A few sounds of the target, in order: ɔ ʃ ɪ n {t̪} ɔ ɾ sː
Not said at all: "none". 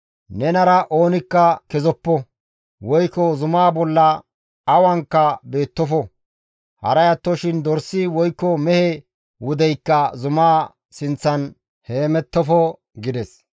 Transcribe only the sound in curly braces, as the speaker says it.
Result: d̪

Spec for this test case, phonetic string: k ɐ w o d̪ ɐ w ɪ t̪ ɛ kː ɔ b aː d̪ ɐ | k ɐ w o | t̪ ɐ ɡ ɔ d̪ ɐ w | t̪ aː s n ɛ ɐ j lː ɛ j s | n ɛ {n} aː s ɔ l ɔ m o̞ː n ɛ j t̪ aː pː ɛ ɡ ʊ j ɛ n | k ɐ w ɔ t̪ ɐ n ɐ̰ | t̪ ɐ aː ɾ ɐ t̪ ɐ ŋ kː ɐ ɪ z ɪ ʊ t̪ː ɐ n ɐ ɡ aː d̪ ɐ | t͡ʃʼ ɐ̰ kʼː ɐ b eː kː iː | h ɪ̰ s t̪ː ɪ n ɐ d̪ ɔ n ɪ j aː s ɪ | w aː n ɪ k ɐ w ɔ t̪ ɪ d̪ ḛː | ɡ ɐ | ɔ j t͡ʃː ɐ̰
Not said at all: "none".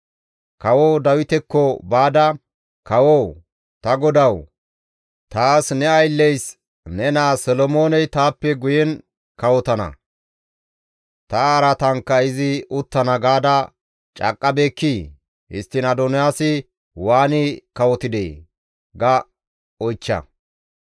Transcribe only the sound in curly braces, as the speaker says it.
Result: n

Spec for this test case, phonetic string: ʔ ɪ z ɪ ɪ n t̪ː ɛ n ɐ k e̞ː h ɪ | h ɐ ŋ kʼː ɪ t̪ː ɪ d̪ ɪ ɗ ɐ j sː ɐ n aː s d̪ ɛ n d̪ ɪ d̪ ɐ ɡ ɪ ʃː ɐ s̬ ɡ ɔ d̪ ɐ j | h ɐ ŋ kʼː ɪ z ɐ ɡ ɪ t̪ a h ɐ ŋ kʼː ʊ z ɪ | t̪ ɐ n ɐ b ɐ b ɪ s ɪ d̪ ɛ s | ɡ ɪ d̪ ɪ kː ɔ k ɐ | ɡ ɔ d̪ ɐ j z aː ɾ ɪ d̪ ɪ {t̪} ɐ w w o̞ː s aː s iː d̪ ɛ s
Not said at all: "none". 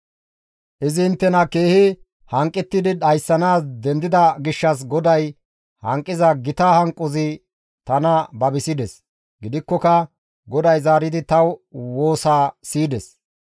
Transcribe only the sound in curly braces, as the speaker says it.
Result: t̪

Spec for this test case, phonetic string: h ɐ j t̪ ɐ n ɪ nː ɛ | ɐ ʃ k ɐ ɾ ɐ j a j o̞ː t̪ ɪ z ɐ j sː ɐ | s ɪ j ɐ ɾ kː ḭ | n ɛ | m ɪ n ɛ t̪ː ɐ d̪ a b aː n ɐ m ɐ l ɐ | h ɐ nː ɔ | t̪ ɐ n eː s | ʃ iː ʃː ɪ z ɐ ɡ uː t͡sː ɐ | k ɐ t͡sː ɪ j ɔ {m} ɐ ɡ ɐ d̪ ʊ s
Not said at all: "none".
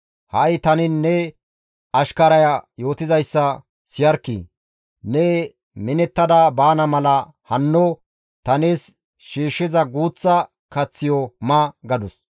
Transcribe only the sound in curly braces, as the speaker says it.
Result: m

